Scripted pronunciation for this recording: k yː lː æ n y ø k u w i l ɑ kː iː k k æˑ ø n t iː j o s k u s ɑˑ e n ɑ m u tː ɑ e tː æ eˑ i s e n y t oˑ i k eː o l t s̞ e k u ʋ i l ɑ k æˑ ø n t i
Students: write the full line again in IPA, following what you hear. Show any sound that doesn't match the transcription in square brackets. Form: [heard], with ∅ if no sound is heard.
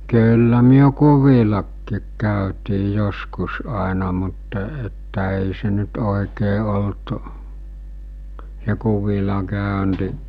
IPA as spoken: k yː lː æ [m] y ø k u [ʋ] i l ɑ kː iː k k æˑ ø [∅] t iː j o s k u s ɑˑ e n ɑ m u tː ɑ e tː æ eˑ i s e n y t oˑ i k eː o l t s̞ e k u ʋ i l ɑ k æˑ ø n t i

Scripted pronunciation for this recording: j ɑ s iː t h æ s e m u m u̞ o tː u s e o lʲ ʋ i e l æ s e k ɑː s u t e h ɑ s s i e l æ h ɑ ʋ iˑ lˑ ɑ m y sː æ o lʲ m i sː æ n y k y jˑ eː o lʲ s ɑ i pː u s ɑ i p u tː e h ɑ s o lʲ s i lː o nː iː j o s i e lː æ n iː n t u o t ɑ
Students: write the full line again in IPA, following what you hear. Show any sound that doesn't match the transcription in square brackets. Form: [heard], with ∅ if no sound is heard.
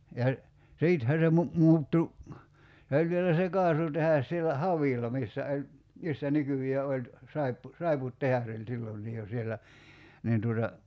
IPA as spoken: j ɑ s iː t h æ s e m u m u̞ [u] tː u s e o lʲ ʋ i e l æ s e k ɑː s u t e h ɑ s s i e l æ h ɑ ʋ iˑ lˑ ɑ m [i] sː æ o lʲ m i sː æ n y k y jˑ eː o lʲ s ɑ i pː u s ɑ i p u tː e h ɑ s o lʲ s i lː o nː iː j o s i e lː æ n iː n t u o t ɑ

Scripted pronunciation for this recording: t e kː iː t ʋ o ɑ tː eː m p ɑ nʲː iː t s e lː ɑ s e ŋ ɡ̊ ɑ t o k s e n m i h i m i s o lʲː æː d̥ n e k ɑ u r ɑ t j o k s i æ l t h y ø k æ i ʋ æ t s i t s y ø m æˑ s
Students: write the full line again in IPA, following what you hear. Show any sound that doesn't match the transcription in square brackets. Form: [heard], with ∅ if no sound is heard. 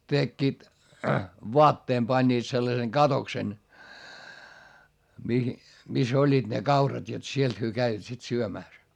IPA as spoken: t e kː iː t ʋ o ɑ tː eː m p ɑ nʲː iː t s e lː ɑ s e ŋ ɡ̊ ɑ t o k s e n m i h i m i s o lʲː [iː] d̥ n e k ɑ u r ɑ t j o [t] s i [e] l t h y ø k æ i ʋ æ t s i t s y ø m æˑ s

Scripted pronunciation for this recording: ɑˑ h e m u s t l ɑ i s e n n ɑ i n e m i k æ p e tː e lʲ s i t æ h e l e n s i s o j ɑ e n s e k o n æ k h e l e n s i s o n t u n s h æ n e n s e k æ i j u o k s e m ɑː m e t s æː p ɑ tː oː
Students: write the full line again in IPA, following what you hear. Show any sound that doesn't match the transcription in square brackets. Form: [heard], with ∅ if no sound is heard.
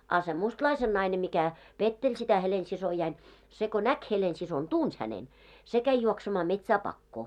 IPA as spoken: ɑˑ [s] e m u s t l ɑ i s e n n ɑ i n e m i k æ p e tː e lʲ s i t æ h e l e n s i s o j ɑ [i] n s e k o n æ k h e l e n s i s o n t u n s h æ n e n s e k æ i j u o k s e m ɑː m e t s æː p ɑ [kː] oː

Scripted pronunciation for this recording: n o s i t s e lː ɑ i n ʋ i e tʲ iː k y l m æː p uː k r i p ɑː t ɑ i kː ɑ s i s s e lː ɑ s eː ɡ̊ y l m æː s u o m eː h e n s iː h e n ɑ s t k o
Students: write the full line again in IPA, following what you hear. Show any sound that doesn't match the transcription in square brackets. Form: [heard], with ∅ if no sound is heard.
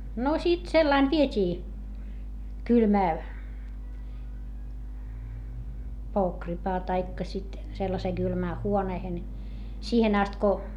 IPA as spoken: n o s i t s e lː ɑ i n ʋ i e tʲ iː k y l m æː p [oː] k r i p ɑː t ɑ i kː ɑ s i [t] s e lː ɑ s eː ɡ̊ y l m æː [h] u o [n] eː h e n s iː h e n ɑ s t k o

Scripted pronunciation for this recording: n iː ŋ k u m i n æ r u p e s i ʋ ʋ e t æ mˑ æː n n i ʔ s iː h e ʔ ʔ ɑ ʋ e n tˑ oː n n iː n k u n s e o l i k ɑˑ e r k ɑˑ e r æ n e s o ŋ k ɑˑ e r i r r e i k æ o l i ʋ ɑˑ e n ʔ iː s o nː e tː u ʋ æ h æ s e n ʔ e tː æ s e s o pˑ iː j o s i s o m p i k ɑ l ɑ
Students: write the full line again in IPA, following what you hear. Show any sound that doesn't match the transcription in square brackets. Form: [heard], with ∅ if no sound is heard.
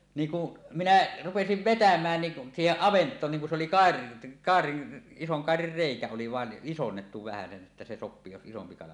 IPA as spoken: n iː ŋ k u m i n æ r u p e s i ʋ ʋ e t æ mˑ æː n n i ʔ s iː h e ʔ ʔ ɑ ʋ e n tˑ oː n n iː [ŋ] k u n s e o l i k ɑˑ e r k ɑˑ e r [i] n [i] s o ŋ k ɑˑ e r i r r e i k æ o l i ʋ ɑˑ e n ʔ [i] s o nː e tː u ʋ æ h æ s e n ʔ e tː æ s e s o pˑ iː j o s i s o m p i k ɑ l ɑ

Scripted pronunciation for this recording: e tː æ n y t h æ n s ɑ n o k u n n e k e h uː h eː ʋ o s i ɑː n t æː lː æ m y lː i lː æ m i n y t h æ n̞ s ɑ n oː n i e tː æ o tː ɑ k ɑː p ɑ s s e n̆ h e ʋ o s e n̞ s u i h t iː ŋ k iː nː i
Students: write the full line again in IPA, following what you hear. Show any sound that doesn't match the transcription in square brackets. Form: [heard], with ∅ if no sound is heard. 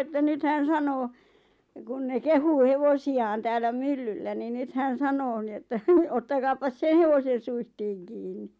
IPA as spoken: e tː æ n y t h æ n s ɑ n [oː] k u n n e k e h uː h [e] ʋ o s i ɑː n t æː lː æ m y lː [y] lː æ [n] i n y t h æ n̞ s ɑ n oː n i e tː æ o tː ɑ k ɑː p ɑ s s e n̆ h e ʋ o s e n̞ s u i h t iː ŋ k iː nː i

